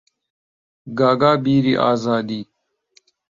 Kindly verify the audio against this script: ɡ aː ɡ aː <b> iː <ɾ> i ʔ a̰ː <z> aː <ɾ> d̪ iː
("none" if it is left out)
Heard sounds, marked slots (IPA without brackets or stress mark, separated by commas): b, ɾ, z, none